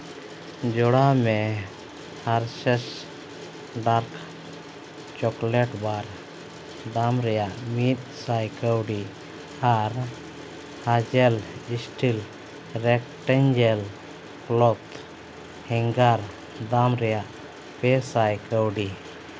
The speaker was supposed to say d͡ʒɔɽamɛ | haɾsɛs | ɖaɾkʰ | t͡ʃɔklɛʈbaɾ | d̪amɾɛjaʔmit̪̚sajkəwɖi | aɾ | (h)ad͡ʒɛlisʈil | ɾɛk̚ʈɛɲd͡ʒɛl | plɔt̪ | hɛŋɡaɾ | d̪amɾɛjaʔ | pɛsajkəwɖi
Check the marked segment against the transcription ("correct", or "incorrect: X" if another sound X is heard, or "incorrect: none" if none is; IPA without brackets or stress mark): correct